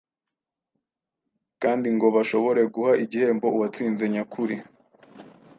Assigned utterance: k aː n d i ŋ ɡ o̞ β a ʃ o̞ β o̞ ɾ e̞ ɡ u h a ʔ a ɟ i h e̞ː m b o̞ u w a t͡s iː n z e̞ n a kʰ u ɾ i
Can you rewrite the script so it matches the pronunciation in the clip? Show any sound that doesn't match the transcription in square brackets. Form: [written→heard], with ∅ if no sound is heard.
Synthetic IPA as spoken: k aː n d i ŋ ɡ o̞ β a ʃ o̞ β o̞ ɾ e̞ ɡ u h a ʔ [a→i] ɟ i h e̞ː m b o̞ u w a t͡s iː n z e̞ [n→ɲ] a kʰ u ɾ i